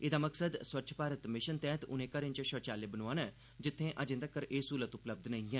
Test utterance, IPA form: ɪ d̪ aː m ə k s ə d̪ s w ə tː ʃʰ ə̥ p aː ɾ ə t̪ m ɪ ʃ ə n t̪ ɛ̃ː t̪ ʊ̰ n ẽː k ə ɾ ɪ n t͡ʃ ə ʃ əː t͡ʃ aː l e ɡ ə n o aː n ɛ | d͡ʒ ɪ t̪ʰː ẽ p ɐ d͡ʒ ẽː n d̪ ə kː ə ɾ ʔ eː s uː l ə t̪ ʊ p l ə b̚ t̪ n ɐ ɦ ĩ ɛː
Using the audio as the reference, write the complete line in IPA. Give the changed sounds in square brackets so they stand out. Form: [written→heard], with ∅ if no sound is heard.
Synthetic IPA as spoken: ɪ d̪ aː m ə k s ə d̪ s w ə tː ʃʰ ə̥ p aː ɾ ə t̪ m ɪ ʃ ə n t̪ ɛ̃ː t̪ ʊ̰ n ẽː k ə ɾ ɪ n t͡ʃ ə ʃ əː t͡ʃ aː l e [ɡ→b] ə n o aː n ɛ | d͡ʒ ɪ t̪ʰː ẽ [p→ʔ] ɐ d͡ʒ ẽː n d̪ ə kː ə ɾ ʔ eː s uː l ə t̪ ʊ p l ə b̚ [t̪→d̪] n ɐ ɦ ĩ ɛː